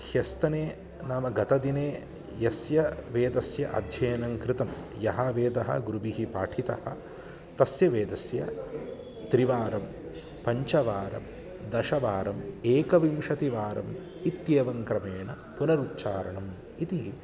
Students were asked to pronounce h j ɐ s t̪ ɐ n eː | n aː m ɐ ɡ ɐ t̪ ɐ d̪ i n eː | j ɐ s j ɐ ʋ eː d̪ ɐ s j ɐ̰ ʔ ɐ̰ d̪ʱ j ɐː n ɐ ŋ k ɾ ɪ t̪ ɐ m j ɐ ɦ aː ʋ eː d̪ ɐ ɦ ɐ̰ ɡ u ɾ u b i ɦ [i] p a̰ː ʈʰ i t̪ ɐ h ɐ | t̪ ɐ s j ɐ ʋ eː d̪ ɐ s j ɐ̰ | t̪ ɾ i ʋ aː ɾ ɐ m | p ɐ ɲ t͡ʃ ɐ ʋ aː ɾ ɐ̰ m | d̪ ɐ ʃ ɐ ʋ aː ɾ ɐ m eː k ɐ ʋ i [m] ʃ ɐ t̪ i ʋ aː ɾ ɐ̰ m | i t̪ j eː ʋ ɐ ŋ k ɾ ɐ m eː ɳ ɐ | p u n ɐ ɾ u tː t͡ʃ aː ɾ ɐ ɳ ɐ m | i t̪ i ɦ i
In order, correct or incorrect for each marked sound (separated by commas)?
correct, correct